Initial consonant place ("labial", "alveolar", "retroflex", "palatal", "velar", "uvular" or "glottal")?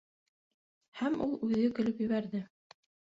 glottal